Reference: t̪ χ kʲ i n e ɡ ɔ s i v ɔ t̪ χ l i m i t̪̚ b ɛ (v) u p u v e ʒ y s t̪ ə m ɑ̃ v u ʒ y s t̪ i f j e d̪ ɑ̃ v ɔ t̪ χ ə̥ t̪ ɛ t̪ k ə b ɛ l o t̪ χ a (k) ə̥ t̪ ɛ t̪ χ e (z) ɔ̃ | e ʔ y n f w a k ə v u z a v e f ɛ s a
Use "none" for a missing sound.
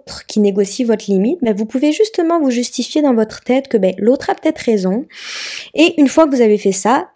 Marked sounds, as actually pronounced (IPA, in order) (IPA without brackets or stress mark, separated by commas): v, p, z